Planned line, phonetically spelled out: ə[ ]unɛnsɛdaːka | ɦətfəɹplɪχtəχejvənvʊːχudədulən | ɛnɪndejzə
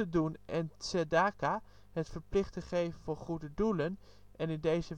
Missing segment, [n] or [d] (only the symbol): d